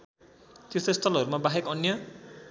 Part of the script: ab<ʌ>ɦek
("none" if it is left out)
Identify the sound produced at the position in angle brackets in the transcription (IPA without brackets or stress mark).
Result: a